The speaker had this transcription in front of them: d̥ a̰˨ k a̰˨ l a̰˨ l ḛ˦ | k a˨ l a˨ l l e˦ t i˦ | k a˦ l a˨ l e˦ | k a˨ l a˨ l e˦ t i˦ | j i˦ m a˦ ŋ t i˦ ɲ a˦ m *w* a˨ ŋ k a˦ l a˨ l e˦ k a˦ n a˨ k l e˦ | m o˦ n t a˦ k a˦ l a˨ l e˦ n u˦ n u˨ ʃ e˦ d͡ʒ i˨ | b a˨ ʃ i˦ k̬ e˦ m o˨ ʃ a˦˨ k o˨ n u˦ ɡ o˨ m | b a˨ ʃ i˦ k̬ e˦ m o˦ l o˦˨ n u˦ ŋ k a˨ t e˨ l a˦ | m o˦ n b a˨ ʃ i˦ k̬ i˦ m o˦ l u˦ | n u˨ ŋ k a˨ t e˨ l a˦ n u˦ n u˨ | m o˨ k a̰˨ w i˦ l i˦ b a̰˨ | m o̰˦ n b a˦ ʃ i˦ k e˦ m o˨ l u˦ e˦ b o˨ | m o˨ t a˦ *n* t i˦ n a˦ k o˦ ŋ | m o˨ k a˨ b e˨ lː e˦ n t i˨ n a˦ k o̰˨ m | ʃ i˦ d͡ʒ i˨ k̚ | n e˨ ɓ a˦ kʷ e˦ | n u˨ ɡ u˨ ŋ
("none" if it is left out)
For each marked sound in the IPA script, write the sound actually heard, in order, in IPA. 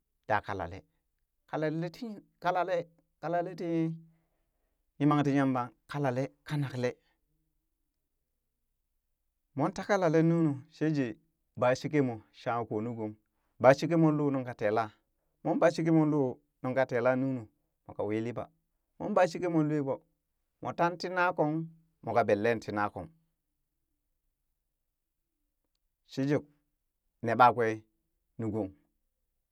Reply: b, n

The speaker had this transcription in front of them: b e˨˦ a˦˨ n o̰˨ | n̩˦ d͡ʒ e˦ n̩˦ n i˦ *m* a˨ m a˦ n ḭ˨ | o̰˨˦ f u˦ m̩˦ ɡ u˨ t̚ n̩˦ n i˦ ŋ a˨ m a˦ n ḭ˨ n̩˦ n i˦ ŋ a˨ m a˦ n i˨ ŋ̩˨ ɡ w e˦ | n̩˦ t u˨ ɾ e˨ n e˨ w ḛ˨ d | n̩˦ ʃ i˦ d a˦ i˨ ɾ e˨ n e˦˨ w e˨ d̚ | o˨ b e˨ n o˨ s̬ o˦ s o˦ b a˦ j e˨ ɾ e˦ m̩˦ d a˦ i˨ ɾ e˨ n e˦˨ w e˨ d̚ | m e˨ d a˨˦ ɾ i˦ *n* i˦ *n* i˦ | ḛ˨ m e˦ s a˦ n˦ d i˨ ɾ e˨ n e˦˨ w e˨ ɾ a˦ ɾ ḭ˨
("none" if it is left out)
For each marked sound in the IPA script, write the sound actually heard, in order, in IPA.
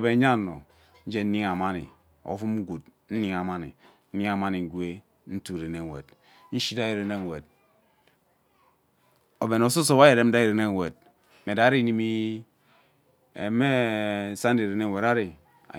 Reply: ŋ, n, m

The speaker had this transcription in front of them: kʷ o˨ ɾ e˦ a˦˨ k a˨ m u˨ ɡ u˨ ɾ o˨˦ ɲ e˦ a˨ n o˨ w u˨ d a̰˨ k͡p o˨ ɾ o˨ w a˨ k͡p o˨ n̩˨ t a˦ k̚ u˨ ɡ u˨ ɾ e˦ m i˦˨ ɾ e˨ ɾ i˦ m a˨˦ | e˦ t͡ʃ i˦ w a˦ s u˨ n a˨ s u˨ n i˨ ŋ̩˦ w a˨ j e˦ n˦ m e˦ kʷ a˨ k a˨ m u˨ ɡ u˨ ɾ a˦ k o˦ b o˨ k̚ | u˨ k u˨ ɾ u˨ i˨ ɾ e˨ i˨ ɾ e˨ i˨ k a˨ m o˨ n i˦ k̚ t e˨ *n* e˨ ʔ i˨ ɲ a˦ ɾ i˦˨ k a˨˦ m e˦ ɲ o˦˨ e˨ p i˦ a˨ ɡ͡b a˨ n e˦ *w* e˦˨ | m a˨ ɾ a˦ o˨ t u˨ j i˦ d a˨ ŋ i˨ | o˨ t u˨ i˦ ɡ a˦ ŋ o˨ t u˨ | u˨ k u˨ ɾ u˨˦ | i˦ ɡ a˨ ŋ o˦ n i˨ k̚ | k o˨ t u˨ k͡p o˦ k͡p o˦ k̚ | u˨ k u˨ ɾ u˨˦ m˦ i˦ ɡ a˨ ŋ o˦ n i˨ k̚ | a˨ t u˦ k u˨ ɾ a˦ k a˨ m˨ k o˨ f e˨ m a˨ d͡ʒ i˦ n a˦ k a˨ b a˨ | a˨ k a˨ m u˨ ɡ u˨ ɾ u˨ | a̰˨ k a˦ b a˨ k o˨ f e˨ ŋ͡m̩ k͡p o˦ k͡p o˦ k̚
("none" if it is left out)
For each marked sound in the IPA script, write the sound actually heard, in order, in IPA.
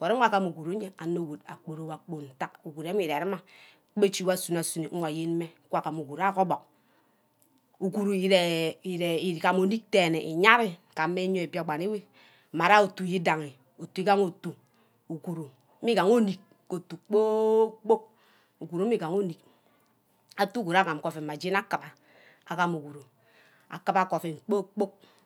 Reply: n, w

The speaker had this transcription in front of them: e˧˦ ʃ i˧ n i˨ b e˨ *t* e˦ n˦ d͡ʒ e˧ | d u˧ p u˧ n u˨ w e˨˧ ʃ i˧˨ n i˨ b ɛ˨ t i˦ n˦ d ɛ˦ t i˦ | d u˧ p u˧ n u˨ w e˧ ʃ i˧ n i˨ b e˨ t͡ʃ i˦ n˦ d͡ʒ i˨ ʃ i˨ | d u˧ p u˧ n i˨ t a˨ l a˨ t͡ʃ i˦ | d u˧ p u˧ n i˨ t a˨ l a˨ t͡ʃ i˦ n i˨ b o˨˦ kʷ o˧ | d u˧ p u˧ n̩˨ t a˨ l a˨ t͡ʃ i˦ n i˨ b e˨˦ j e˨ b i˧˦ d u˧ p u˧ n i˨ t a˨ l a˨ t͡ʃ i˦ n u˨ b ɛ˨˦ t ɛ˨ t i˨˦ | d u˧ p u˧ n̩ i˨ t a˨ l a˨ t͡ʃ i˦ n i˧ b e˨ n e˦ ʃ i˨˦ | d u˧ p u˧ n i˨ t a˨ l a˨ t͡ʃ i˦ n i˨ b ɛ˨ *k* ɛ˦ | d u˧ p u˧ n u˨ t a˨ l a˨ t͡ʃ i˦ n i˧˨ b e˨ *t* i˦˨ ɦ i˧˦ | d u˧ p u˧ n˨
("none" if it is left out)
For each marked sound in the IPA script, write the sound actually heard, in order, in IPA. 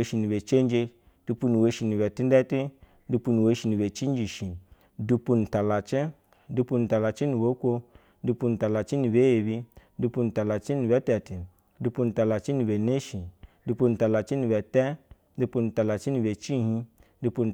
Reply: t͡ʃ, t, t͡ʃ

